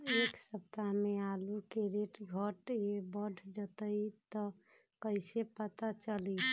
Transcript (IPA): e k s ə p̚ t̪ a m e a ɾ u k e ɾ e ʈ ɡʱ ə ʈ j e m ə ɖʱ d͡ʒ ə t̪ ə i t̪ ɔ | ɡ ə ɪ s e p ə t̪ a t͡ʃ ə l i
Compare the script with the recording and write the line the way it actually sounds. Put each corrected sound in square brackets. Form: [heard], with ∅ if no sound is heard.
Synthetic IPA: e k s ə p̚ t̪ a m e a [l] u k e ɾ e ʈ ɡʱ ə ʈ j e [b] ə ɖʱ d͡ʒ ə t̪ ə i t̪ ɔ | [k] ə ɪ s e p ə t̪ a t͡ʃ ə l i

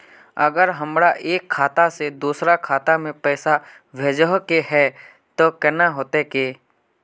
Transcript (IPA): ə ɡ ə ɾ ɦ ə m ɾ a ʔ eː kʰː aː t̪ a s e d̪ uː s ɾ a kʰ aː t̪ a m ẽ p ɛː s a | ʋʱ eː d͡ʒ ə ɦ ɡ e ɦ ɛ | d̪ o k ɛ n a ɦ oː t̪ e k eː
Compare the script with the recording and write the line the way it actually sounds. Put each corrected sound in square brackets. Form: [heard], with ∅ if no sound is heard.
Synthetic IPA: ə ɡ ə ɾ ɦ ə m ɾ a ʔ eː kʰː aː t̪ a s e d̪ uː s ɾ a kʰ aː t̪ a m ẽ p ɛː s a | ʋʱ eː d͡ʒ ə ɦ [k] e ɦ ɛ | [t̪] o k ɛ n a ɦ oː t̪ e k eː

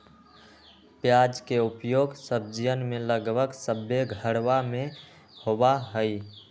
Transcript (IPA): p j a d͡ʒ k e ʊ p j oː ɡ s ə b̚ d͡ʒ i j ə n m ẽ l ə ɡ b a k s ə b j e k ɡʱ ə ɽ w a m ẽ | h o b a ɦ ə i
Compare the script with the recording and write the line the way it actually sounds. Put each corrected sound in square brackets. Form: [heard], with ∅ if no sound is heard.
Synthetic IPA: p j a d͡ʒ k e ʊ p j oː ɡ s ə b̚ d͡ʒ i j ə n m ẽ l ə ɡ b [ə] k s ə b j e [∅] ɡʱ ə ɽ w a m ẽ | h o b a ɦ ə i

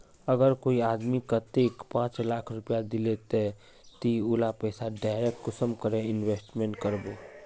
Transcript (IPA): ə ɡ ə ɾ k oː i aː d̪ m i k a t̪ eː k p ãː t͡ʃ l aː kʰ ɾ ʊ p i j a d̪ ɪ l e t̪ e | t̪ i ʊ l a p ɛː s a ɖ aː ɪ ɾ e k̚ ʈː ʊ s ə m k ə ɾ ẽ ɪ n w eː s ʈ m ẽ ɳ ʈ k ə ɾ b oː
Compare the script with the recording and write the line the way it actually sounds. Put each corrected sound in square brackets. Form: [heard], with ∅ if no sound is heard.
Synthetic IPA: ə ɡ ə ɾ k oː i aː d̪ m i k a t̪ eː k p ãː t͡ʃ l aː kʰ ɾ ʊ p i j a d̪ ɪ l e t̪ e | t̪ i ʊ l a p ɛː s a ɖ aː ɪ ɾ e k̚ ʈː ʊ s ə m k ə ɾ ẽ ɪ n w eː s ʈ m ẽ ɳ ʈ k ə ɾ b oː

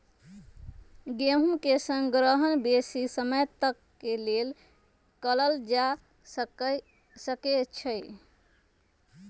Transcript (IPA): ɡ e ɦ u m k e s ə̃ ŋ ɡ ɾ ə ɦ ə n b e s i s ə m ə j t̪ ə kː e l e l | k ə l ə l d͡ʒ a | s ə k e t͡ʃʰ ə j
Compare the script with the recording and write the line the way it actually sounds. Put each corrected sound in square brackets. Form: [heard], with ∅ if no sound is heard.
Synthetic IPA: ɡ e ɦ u m k e s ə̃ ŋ ɡ ɾ ə ɦ ə n b e s i s ə m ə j t̪ ə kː e l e l | k ə l ə l d͡ʒ a | s ə k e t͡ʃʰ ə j

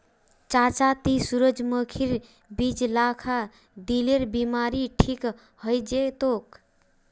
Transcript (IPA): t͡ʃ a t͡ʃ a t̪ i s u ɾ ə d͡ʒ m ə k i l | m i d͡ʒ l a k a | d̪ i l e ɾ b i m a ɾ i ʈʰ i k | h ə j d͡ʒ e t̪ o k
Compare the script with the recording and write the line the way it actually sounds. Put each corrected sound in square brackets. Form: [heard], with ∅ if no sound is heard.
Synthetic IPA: t͡ʃ a t͡ʃ a t̪ i s u ɾ ə d͡ʒ m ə [kʰ] i [ɾ] | [b] i d͡ʒ l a [kʰ] a | d̪ i l e ɾ b i m a ɾ i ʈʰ i k | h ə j d͡ʒ e t̪ o k

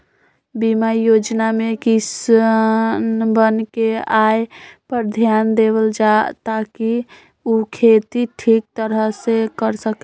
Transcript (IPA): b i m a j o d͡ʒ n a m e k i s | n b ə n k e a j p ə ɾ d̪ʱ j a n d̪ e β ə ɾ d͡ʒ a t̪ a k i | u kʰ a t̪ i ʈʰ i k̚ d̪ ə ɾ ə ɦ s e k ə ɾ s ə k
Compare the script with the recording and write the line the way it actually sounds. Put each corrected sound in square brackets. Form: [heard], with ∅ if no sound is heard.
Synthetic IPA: b i m a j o d͡ʒ n a m e k i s | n b ə n k e a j p ə ɾ d̪ʱ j a n d̪ e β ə [l] d͡ʒ a t̪ a k i | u kʰ [e] t̪ i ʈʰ i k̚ [t̪] ə ɾ ə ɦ s e k ə ɾ s ə k

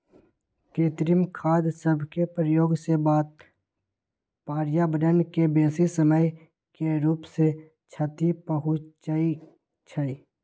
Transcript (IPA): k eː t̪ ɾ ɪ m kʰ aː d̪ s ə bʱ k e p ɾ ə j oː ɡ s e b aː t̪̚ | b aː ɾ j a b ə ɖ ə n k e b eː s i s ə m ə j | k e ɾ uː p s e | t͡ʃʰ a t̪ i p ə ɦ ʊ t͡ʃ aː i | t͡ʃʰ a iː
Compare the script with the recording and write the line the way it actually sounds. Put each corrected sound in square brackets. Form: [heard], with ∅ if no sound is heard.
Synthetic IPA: k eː t̪ ɾ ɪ m kʰ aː d̪ s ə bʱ k e p ɾ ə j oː ɡ s e b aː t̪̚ | [p] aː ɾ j a b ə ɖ ə n k e b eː s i s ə m ə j | k e ɾ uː p s e | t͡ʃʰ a t̪ i p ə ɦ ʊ t͡ʃ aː i | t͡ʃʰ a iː

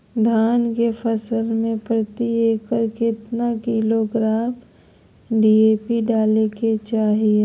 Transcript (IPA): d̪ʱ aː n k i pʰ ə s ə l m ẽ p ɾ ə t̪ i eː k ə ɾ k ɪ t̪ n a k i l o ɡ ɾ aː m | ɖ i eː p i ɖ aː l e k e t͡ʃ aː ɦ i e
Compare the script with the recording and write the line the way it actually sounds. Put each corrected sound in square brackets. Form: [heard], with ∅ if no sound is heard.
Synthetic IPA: d̪ʱ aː n k [e] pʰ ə s ə l m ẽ p ɾ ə t̪ i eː k ə ɾ k ɪ t̪ n a k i l o ɡ ɾ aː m | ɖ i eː p i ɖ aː l e k e t͡ʃ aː ɦ i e

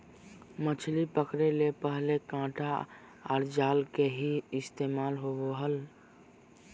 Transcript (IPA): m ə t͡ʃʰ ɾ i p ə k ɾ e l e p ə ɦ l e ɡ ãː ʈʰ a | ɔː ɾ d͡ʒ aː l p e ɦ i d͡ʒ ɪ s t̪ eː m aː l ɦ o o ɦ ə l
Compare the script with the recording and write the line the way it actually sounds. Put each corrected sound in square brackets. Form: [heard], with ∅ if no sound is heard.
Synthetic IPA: m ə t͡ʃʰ [l] i p ə k ɾ e l e p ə ɦ l e [k] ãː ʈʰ a | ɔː ɾ d͡ʒ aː l [k] e ɦ i [∅] ɪ s t̪ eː m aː l ɦ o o ɦ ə l

